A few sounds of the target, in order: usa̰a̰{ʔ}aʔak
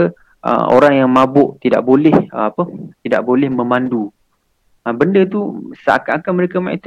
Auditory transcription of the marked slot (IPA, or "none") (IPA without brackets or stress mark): k